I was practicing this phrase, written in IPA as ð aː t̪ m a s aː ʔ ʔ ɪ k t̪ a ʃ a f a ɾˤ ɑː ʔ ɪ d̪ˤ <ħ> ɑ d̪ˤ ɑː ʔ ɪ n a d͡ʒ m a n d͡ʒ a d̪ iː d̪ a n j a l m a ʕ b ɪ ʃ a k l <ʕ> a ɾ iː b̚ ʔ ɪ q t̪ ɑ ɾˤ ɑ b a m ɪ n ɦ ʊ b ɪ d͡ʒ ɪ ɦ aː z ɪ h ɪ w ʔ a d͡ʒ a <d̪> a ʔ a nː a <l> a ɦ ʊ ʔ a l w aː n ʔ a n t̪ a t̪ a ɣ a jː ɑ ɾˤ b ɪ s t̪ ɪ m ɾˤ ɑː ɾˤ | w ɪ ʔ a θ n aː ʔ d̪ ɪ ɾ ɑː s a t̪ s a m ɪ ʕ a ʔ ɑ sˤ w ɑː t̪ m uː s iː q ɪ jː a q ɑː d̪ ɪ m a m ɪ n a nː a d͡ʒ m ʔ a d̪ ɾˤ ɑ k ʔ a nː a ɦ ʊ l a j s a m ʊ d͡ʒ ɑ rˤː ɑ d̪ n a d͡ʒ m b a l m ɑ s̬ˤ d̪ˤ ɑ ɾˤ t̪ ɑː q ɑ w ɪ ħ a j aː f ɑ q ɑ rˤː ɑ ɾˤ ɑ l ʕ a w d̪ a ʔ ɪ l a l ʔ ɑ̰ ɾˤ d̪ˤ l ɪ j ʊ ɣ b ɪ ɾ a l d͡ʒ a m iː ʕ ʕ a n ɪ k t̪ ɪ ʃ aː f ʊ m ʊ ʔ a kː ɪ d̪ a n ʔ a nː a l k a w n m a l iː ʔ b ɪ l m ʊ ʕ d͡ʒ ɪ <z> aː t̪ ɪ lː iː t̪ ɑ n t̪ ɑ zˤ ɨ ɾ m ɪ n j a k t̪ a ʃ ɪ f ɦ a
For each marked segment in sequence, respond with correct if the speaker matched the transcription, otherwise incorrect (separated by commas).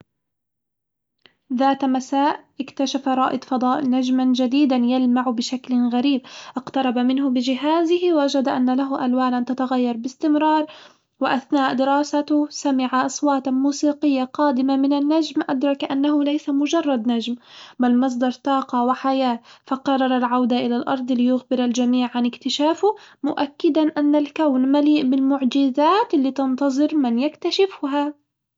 incorrect, incorrect, correct, correct, correct